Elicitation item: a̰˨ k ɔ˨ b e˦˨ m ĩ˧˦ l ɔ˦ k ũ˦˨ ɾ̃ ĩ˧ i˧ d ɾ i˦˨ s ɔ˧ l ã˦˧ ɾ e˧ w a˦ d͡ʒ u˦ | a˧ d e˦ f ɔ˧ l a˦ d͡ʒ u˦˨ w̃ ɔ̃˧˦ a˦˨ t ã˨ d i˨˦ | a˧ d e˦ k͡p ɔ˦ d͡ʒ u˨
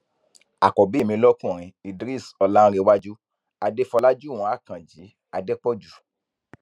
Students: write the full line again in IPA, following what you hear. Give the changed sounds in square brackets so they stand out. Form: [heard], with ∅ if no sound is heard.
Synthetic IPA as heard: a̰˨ k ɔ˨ b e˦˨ m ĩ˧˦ l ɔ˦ k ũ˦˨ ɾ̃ ĩ˧ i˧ d ɾ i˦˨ s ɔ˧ l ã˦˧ ɾ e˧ w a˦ d͡ʒ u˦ | a˧ d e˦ f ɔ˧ l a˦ d͡ʒ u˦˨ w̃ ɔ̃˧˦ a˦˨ [k] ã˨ [d͡ʒ] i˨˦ | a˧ d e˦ k͡p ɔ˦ d͡ʒ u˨